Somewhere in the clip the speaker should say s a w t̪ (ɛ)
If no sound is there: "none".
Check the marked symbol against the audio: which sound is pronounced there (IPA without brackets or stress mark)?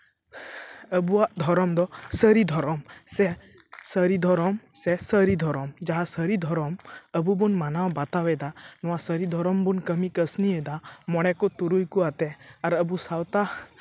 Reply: a